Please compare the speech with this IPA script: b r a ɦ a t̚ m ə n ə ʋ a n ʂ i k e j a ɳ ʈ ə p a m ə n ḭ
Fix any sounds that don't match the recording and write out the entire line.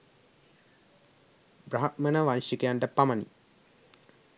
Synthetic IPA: b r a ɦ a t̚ m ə n ə ʋ a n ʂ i k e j a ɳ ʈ ə p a m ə n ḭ